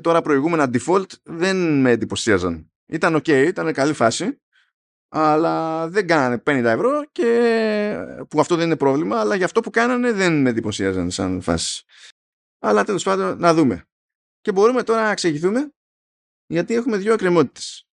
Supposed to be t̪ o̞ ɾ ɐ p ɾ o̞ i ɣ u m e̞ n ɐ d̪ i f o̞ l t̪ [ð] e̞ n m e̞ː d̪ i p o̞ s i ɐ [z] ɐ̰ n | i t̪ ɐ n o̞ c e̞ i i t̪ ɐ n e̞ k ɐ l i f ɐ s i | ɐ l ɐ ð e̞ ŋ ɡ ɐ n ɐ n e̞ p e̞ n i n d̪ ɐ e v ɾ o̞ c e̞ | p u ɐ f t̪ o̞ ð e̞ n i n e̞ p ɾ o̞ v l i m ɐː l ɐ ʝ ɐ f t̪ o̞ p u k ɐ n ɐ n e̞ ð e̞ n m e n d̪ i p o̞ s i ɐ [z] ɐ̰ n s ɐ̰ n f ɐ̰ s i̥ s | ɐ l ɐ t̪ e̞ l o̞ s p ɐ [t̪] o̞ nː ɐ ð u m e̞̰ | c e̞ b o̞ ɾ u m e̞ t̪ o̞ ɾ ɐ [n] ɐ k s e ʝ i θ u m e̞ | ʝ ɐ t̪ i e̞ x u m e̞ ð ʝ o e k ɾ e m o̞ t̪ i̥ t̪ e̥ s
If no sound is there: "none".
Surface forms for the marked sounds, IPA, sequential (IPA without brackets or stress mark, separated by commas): ð, z, z, d̪, n